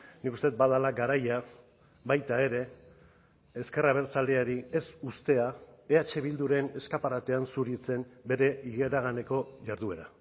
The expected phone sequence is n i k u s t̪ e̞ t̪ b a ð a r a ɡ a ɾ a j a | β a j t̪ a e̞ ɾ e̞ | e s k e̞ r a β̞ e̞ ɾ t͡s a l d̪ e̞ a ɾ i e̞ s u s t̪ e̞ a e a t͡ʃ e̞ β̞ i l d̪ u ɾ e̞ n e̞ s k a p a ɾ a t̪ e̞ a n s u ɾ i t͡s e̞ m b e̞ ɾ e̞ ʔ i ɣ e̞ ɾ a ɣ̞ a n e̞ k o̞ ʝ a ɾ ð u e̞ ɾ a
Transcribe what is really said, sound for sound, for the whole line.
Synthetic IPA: n i k u s t̪ e̞ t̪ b a ð a l a ɡ a ɾ a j a | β a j t̪ a e̞ ɾ e̞ | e s k e̞ r a β̞ e̞ ɾ t͡s a l d̪ e̞ a ɾ i e̞ s u s t̪ e̞ a e a t͡ʃ e̞ β̞ i l d̪ u ɾ e̞ n e̞ s k a p a ɾ a t̪ e̞ a n s u ɾ i t͡s e̞ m b e̞ ɾ e̞ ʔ i ɣ e̞ ɾ a ɣ̞ a n e̞ k o̞ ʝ a ɾ ð u e̞ ɾ a